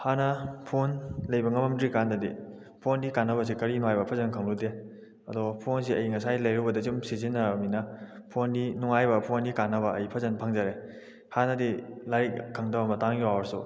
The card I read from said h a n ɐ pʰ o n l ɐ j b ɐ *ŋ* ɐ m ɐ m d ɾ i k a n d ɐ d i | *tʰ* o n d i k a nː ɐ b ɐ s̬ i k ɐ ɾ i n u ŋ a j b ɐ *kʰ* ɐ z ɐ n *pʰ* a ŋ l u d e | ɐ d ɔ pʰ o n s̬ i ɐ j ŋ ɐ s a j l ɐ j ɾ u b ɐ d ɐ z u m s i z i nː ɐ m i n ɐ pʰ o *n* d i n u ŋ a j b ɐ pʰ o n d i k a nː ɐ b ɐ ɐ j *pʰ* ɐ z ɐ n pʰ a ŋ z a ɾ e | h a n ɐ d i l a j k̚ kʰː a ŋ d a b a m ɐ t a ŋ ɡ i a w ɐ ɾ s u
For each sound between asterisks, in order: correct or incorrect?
correct, incorrect, incorrect, incorrect, correct, correct

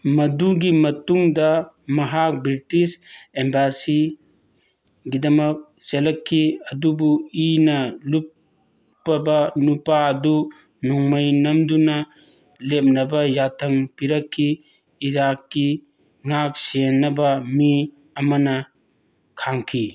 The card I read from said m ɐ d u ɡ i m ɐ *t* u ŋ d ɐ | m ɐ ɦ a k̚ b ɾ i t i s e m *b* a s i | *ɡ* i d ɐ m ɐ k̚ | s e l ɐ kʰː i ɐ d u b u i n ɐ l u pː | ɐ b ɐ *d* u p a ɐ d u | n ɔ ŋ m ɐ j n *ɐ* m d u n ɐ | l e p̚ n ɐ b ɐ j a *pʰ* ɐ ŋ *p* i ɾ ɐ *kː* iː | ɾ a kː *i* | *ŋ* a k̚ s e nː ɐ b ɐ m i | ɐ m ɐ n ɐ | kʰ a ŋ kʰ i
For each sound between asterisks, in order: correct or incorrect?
correct, correct, correct, incorrect, correct, incorrect, correct, incorrect, correct, correct

